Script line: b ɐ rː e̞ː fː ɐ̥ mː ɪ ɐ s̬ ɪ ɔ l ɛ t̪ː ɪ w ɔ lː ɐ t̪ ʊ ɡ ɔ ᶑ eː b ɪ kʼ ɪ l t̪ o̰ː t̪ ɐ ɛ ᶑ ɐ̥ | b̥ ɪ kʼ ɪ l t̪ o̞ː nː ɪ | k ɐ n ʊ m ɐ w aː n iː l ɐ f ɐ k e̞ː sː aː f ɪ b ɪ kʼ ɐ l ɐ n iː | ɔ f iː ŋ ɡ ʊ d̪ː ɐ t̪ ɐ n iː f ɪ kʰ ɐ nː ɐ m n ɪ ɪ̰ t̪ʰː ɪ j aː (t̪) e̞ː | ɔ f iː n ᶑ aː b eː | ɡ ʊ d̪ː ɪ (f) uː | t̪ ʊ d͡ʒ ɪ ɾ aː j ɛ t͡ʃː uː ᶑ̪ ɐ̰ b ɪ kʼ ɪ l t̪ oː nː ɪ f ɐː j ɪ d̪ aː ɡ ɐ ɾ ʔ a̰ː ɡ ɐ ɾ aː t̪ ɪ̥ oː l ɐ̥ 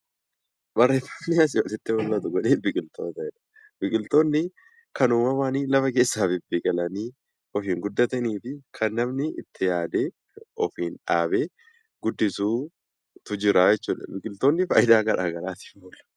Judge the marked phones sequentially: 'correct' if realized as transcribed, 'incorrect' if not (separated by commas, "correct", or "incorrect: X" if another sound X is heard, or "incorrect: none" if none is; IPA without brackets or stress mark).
incorrect: d̪, incorrect: s